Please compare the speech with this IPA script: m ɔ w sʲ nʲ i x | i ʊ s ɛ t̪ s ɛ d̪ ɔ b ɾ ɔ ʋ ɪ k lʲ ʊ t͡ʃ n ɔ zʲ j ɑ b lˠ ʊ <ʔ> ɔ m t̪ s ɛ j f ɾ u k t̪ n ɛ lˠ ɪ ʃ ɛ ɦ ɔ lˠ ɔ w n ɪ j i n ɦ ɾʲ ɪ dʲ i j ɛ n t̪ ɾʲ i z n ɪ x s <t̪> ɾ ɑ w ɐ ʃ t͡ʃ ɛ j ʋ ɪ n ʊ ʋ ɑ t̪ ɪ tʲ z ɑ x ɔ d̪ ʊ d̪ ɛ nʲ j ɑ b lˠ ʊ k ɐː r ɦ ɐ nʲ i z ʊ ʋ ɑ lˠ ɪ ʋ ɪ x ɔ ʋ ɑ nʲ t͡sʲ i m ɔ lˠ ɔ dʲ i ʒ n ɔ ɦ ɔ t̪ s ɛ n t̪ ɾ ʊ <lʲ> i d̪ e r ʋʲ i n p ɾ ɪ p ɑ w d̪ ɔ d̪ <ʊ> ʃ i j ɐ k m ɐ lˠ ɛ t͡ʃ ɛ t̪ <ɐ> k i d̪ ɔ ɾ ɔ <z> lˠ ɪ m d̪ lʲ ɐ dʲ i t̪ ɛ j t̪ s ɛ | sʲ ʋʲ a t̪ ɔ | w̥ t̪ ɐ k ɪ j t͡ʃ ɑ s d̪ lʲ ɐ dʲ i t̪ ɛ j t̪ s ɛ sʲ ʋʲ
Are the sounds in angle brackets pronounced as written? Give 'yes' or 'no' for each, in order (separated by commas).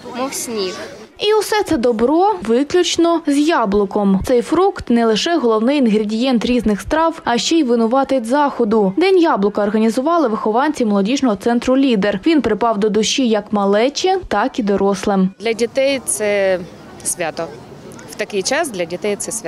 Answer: no, yes, yes, yes, no, no